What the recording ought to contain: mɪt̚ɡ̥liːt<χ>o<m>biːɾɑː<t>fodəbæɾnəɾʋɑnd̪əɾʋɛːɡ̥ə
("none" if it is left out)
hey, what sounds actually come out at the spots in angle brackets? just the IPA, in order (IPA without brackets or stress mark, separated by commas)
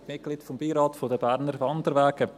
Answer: f, m, t